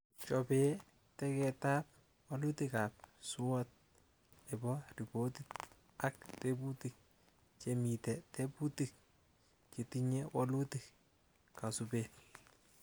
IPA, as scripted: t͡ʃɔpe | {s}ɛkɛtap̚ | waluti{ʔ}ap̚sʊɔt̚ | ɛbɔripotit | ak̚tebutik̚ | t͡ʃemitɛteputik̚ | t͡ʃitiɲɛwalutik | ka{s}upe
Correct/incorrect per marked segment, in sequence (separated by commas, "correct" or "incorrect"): incorrect, incorrect, correct